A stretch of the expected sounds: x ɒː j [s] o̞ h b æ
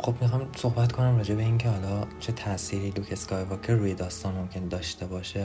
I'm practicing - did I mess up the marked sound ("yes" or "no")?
no